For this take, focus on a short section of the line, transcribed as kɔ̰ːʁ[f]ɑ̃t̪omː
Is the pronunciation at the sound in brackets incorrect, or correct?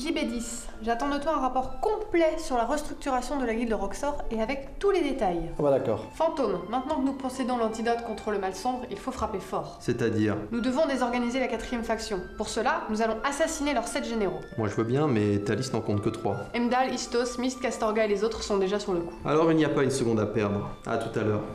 correct